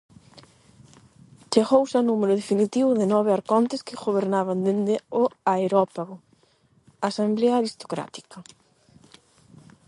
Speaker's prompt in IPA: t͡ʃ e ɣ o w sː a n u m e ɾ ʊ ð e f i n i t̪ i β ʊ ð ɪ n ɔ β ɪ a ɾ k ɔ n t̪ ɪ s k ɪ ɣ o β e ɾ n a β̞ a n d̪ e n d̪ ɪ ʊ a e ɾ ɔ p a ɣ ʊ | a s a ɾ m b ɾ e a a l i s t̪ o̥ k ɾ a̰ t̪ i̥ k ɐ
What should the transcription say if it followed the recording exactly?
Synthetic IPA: t͡ʃ e ɣ o w s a n u m e ɾ ʊ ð e f i n i t̪ i β ʊ ð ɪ n ɔ β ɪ a ɾ k ɔ n t̪ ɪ s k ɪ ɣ o β e ɾ n a β̞ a n d̪ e n d̪ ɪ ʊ a e ɾ ɔ p a ɣ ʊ | a s a m b l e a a ɾ i s t̪ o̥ k ɾ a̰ t̪ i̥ k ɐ